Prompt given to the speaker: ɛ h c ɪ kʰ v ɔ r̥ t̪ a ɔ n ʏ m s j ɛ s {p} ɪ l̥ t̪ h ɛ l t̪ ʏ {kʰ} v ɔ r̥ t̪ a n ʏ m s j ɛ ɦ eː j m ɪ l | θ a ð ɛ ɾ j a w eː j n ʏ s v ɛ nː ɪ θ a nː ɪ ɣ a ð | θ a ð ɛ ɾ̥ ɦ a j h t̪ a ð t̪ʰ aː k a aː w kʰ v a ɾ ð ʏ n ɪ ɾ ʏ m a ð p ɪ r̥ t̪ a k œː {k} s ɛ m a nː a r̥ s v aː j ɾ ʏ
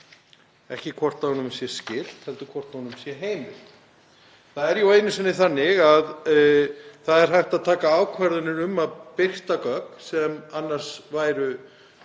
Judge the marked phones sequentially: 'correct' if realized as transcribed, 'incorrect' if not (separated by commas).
incorrect, correct, correct